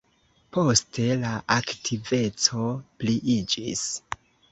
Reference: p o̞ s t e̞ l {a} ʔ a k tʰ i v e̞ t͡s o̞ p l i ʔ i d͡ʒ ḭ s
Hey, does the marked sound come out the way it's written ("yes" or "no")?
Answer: yes